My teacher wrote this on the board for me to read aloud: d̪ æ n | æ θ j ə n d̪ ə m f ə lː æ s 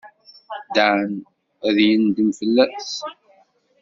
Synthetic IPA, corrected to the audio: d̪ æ n | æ ð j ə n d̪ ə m f ə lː æ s